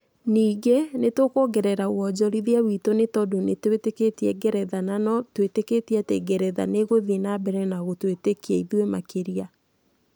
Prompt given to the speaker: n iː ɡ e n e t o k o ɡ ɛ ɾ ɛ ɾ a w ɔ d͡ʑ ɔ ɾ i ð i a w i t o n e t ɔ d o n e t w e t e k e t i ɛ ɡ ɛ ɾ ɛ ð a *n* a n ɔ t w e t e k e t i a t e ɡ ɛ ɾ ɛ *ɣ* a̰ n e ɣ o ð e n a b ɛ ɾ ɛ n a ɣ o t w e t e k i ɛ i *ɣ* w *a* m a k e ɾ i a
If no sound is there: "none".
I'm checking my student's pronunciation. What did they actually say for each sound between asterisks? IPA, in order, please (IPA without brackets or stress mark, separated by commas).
n, ð, ð, e